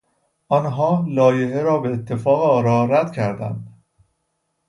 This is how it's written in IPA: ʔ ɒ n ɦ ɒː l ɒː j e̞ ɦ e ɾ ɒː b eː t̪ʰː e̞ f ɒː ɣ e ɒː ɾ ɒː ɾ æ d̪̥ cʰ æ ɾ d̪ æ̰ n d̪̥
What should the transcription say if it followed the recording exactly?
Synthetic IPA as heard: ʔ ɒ n ɦ ɒː l ɒː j e̞ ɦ e ɾ ɒː b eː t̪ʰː e̞ f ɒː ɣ e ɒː ɾ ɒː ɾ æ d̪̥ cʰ æ ɾ d̪ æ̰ n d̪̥